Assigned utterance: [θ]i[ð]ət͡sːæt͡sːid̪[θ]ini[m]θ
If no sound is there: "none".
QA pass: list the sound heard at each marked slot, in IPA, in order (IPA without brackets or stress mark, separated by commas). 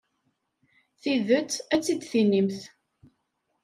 θ, ð, θ, m